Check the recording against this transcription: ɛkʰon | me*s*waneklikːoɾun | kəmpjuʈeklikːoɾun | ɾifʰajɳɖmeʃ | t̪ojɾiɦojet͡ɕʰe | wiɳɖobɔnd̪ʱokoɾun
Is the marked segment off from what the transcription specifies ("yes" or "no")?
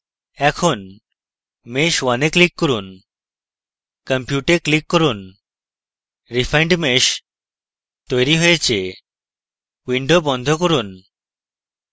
yes